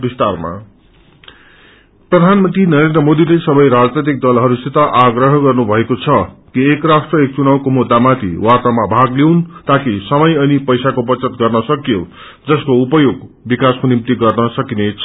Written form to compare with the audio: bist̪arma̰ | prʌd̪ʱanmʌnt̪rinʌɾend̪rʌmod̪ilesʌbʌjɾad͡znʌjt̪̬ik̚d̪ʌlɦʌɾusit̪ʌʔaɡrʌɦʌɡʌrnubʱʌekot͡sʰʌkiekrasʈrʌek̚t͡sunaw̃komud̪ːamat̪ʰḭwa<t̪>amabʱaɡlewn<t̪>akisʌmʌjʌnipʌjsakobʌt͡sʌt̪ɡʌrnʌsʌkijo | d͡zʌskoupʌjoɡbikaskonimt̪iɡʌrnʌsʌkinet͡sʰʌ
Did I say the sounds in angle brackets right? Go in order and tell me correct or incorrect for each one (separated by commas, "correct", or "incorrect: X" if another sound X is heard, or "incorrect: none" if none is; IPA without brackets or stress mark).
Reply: correct, correct